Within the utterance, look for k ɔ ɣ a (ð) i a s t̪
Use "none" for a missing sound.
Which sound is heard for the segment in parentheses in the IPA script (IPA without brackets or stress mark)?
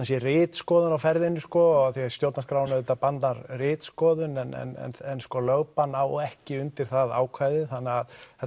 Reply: θ